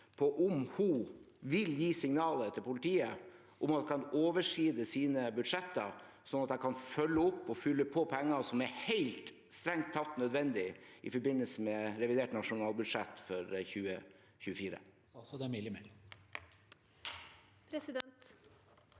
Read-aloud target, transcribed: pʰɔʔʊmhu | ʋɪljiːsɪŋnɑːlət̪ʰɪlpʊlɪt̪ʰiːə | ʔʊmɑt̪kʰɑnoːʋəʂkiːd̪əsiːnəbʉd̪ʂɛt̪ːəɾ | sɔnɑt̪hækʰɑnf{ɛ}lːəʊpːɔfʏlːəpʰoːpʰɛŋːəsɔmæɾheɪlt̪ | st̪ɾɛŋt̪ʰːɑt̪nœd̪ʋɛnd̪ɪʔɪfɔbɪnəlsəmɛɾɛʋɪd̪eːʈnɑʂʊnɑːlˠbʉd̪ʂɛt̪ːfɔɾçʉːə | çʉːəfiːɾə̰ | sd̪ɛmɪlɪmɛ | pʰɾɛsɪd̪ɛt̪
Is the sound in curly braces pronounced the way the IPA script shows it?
no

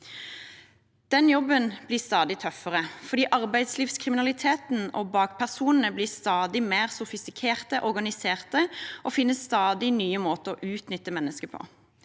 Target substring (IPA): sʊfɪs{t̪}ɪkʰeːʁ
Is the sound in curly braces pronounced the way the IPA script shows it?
yes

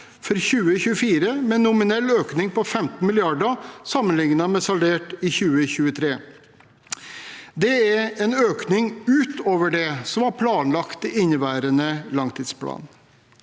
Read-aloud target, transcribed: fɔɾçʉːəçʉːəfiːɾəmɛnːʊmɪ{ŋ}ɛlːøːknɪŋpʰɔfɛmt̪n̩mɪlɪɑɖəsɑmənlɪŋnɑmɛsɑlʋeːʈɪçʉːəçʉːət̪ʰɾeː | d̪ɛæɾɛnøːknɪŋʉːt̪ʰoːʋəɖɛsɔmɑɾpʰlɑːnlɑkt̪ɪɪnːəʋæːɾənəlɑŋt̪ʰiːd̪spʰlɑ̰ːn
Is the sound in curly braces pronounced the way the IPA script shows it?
no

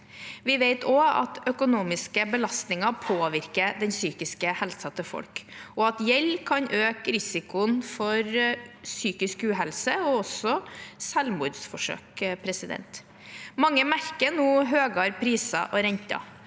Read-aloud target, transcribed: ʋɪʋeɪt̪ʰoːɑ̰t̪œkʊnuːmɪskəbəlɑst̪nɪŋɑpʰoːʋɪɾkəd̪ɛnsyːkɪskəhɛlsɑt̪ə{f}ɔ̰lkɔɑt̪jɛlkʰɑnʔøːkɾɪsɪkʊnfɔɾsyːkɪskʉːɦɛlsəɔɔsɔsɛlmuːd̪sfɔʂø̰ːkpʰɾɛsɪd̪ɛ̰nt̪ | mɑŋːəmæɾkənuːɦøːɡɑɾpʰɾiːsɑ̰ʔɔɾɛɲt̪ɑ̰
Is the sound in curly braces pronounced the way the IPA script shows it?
yes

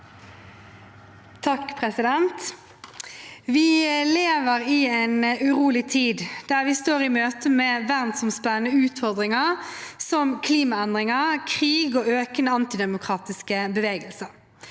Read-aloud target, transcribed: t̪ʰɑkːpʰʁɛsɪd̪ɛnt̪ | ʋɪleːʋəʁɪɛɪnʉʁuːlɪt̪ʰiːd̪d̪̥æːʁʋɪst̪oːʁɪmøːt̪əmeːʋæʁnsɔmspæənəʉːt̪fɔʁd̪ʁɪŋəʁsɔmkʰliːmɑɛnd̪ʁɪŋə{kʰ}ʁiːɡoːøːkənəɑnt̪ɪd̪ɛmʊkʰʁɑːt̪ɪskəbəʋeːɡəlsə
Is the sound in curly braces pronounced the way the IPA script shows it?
yes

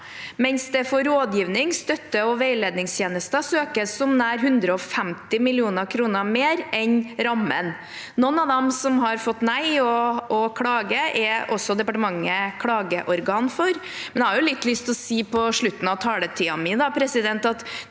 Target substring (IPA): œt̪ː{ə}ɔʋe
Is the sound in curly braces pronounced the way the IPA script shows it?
yes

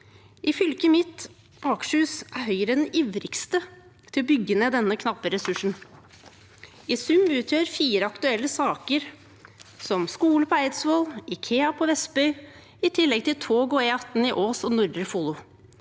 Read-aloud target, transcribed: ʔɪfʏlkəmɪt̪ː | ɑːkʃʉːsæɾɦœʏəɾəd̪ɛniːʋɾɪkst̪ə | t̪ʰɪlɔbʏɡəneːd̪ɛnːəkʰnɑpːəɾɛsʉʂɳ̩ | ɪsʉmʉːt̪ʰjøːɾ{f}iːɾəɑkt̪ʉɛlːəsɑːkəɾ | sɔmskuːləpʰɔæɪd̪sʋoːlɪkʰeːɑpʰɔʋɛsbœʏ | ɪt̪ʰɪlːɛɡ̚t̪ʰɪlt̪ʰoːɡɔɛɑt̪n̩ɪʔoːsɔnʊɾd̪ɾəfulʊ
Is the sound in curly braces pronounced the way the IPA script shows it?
yes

